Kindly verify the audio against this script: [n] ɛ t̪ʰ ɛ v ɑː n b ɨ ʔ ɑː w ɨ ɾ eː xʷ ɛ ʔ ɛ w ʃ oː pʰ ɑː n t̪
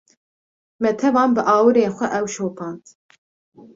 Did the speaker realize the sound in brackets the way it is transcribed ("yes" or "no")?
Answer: no